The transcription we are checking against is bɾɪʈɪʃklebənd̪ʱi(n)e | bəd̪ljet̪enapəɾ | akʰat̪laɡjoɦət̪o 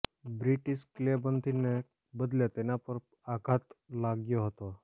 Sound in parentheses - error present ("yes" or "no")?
no